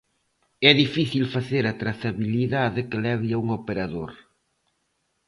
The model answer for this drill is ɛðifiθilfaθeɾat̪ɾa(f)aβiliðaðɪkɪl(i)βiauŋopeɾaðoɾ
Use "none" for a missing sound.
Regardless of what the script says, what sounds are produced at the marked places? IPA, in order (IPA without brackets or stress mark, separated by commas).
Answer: θ, ɛ